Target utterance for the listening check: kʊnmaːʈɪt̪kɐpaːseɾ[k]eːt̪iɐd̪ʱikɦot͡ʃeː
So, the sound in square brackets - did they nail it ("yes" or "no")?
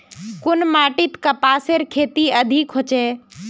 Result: no